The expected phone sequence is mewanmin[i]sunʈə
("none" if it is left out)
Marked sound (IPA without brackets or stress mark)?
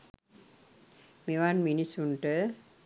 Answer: i